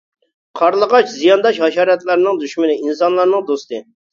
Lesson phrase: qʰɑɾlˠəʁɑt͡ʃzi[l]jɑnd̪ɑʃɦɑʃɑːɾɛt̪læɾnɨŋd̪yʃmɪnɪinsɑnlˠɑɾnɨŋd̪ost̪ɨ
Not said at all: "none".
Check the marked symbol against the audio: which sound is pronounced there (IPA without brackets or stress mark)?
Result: none